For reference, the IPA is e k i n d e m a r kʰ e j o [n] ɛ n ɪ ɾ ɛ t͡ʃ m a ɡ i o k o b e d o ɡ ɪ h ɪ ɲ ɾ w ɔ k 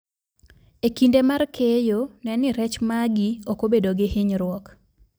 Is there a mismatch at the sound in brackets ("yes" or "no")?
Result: no